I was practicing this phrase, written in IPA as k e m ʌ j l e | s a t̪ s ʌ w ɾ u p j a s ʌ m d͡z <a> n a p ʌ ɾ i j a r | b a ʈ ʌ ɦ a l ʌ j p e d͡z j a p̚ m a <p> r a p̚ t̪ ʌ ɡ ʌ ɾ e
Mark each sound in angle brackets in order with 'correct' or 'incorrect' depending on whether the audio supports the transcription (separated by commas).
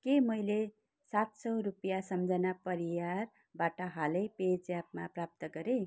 incorrect, correct